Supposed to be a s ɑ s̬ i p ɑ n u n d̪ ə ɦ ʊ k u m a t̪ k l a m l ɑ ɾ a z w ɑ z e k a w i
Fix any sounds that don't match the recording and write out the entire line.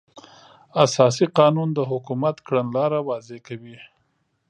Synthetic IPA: a s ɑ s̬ i q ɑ n u n d̪ ə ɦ ʊ k u m a t̪ k ɽ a n l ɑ ɾ a w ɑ z e k a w i